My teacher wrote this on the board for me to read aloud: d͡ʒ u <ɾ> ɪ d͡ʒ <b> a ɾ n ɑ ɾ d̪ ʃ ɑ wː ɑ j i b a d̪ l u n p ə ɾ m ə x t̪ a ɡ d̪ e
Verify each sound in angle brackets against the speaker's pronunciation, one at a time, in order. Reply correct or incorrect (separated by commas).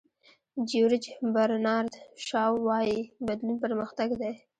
correct, correct